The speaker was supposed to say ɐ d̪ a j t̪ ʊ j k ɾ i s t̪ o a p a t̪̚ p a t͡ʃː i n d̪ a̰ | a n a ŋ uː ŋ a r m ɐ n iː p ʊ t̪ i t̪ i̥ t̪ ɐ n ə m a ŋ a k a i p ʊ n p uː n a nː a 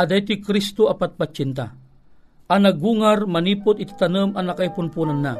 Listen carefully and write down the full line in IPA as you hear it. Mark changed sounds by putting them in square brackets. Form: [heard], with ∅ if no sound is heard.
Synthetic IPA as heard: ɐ d̪ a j t̪ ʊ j k ɾ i s t̪ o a p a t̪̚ p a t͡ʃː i n [t̪] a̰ | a n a [ɡ] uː ŋ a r m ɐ n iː p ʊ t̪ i t̪ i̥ t̪ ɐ n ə m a [n] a k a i p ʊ n p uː n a nː a